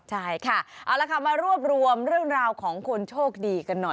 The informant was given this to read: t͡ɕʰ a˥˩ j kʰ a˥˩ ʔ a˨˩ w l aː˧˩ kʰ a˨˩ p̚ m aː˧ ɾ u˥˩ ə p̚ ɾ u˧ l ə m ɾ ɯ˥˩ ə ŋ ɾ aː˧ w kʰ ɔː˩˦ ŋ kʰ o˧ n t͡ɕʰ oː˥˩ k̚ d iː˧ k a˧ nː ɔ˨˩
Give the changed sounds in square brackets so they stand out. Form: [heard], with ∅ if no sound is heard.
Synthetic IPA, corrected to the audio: t͡ɕʰ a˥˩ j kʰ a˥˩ ʔ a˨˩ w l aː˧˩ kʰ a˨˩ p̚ m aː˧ ɾ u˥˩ ə p̚ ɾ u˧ [∅] ə m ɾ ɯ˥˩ ə ŋ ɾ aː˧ w kʰ ɔː˩˦ ŋ kʰ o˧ n t͡ɕʰ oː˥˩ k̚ d iː˧ k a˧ nː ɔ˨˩